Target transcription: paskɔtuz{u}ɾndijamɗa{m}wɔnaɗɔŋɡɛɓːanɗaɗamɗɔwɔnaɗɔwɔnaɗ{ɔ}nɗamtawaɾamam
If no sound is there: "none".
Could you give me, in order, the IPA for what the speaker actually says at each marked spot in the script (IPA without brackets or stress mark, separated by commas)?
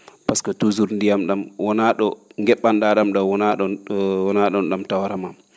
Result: u, m, ɔ